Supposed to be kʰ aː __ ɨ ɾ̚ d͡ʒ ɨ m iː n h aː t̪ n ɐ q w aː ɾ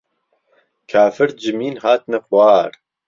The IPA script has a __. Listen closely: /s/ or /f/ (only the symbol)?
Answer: f